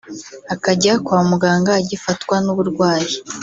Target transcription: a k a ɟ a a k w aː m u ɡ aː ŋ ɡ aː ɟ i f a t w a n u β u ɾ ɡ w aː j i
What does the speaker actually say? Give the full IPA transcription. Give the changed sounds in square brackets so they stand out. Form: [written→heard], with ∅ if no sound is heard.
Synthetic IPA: a k a ɟ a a k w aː m u ɡ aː ŋ ɡ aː ɟ i f a t w a n u β u ɾ ɡ w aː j i